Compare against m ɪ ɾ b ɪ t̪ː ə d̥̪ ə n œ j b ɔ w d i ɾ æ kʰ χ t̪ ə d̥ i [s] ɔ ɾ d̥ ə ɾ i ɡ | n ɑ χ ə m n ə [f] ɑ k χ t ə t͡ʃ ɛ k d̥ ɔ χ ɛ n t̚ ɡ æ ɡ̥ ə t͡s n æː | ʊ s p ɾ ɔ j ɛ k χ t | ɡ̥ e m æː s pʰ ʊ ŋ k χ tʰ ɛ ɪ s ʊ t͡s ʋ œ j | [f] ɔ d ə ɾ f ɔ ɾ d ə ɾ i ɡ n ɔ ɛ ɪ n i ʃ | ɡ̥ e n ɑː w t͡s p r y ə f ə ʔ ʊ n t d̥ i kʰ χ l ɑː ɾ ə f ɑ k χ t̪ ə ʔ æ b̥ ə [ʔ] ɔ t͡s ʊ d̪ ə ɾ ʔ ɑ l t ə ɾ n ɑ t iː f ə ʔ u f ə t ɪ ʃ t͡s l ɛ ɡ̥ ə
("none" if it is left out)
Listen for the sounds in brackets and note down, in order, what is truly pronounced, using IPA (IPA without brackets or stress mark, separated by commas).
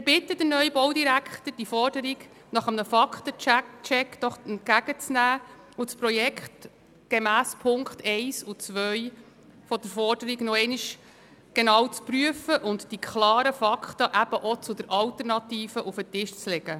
f, f, f, ʔ